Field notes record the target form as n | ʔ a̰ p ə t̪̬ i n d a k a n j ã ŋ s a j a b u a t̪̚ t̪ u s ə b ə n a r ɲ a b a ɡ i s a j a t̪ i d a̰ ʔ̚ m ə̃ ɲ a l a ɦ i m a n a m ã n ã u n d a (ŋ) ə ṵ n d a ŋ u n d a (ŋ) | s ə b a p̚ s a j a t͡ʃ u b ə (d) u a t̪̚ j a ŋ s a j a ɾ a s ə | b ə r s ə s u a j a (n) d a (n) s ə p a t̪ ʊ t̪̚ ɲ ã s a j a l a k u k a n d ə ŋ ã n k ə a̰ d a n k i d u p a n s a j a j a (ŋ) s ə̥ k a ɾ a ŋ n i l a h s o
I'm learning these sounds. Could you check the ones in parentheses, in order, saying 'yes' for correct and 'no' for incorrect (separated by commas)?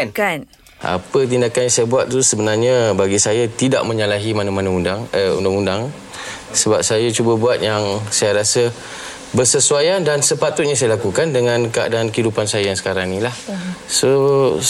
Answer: yes, yes, no, yes, yes, yes